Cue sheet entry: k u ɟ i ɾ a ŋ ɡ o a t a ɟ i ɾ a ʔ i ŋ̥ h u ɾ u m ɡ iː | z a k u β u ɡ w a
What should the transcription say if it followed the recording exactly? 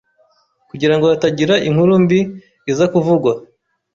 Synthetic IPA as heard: k u ɟ i ɾ a ŋ ɡ o a t a ɟ i ɾ a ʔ i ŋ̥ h u ɾ u m b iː | z a k u v u ɡ w a